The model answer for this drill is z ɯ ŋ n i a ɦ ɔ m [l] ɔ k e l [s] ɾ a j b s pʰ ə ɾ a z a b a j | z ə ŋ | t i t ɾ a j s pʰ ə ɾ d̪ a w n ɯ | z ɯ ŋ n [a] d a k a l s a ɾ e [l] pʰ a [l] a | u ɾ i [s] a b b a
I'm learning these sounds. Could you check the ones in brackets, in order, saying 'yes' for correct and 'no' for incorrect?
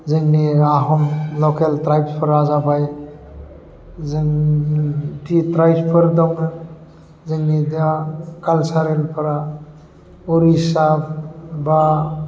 yes, no, no, yes, no, yes

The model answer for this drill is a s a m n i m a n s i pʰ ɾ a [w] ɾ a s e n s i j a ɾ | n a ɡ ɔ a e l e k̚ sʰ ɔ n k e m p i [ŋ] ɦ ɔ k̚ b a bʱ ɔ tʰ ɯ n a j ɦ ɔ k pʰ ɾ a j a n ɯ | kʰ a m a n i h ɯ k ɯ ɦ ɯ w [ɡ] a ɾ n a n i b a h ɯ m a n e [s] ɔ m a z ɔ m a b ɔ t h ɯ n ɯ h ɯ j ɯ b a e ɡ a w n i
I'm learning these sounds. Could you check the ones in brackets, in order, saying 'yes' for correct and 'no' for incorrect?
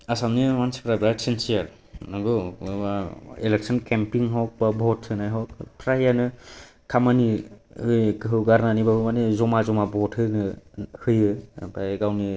no, yes, yes, no

